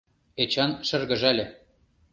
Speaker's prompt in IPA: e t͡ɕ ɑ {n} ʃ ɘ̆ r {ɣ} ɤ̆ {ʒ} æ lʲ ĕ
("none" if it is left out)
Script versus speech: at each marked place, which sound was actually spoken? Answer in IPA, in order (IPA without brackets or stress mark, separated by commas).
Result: n, ɣ, ʒ